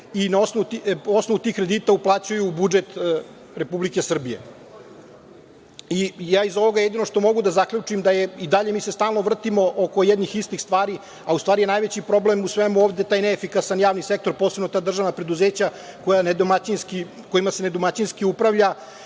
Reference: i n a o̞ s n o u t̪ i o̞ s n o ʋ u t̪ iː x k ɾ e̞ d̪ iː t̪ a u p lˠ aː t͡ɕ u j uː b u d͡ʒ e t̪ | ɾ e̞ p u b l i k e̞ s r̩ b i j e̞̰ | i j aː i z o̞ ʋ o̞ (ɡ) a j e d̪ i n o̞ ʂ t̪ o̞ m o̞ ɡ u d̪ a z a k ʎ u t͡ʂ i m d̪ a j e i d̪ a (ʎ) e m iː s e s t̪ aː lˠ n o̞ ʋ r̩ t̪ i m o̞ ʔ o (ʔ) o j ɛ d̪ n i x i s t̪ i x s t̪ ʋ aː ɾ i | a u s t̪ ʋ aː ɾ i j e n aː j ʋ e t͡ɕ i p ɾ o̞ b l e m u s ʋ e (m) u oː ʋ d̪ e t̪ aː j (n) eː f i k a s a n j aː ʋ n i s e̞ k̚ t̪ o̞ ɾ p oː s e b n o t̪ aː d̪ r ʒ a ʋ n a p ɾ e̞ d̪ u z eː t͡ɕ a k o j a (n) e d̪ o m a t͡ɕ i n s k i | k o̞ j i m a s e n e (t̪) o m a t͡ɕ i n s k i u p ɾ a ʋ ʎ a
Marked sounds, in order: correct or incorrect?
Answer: correct, correct, incorrect: k, correct, correct, correct, incorrect: d̪

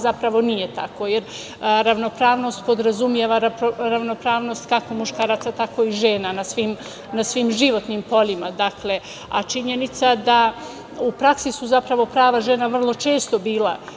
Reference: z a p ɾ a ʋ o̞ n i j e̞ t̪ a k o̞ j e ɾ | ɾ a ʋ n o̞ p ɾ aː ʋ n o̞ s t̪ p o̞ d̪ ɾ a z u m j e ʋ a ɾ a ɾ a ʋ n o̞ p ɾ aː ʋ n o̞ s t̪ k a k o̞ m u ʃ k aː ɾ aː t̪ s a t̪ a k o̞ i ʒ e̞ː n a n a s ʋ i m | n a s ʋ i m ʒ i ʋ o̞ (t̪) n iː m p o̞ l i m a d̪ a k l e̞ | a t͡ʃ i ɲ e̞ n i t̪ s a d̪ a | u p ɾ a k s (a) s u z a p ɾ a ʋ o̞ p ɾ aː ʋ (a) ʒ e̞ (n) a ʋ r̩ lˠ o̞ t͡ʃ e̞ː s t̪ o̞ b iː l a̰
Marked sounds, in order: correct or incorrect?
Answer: correct, incorrect: i, correct, correct

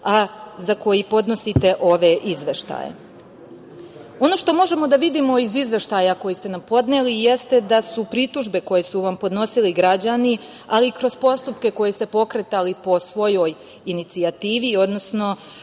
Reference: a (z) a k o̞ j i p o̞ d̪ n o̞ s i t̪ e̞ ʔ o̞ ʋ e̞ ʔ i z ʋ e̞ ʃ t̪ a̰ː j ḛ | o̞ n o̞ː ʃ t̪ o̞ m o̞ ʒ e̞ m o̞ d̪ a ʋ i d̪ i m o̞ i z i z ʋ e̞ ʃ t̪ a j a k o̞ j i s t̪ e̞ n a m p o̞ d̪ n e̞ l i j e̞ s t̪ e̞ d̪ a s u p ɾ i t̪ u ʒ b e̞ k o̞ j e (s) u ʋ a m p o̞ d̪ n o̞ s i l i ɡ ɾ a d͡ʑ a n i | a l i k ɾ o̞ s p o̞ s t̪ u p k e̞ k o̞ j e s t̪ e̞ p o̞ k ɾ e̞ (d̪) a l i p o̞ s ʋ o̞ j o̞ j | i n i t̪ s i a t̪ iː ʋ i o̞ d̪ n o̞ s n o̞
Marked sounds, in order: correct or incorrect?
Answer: correct, correct, incorrect: t̪

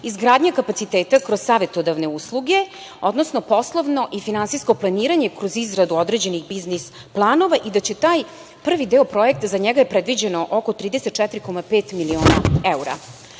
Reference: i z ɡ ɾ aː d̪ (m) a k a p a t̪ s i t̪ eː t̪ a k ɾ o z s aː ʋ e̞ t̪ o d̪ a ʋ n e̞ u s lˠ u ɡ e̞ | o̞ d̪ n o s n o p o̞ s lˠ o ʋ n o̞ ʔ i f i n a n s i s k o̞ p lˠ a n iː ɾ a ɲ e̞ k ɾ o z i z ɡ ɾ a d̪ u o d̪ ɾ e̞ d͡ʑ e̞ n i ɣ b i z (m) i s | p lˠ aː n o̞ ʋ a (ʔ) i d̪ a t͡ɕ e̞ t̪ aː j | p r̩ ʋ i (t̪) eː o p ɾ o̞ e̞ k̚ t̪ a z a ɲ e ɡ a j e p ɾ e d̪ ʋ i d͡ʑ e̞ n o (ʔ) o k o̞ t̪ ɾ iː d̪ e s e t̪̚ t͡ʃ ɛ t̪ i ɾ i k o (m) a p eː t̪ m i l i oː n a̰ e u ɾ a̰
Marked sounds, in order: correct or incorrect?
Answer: incorrect: ɲ, incorrect: n, correct, incorrect: d̪, correct, correct

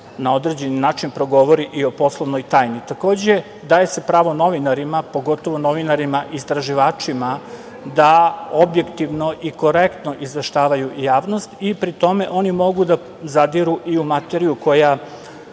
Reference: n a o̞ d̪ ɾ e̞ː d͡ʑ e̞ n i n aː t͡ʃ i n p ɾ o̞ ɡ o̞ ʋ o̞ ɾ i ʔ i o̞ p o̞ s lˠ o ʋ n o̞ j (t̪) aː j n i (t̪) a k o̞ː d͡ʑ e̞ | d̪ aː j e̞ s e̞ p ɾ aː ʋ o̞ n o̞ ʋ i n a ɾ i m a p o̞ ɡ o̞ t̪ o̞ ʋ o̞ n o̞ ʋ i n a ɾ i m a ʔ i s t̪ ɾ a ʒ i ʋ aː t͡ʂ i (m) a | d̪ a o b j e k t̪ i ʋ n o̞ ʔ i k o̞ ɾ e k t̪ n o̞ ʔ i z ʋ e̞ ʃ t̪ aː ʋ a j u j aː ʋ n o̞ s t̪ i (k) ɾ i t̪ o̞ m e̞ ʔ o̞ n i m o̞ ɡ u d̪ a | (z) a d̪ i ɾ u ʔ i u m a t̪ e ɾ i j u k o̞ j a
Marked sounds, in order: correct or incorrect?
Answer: correct, correct, correct, incorrect: p, correct

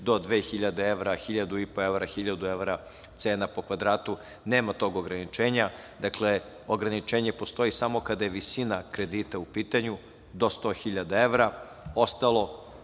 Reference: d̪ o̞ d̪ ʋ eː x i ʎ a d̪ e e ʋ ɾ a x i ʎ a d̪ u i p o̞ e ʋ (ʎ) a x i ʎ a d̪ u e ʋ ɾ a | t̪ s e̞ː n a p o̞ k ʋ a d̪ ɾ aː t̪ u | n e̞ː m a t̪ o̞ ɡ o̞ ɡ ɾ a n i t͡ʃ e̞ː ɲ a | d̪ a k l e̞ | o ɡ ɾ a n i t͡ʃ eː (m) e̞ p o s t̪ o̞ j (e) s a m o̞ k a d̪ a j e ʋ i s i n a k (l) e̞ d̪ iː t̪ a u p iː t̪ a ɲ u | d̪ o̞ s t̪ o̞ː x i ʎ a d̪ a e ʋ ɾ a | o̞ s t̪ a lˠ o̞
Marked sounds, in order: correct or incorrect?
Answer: incorrect: ɾ, incorrect: ɲ, incorrect: i, incorrect: ɾ

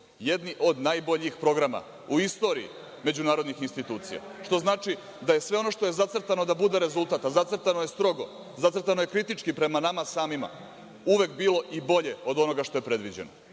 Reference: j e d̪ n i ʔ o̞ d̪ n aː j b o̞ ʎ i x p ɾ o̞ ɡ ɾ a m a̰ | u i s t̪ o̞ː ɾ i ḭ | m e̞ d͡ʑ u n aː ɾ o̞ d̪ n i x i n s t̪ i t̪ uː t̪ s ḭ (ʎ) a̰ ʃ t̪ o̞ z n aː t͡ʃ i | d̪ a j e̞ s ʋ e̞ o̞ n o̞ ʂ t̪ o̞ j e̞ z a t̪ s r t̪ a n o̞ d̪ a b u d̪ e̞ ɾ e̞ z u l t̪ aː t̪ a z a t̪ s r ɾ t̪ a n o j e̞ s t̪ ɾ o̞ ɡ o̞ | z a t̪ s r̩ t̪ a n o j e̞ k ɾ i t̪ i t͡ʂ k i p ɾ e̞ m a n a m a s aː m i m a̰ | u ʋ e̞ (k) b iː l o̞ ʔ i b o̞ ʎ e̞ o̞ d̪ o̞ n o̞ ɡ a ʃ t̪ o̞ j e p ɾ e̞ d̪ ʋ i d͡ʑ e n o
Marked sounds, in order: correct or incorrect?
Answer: incorrect: j, correct

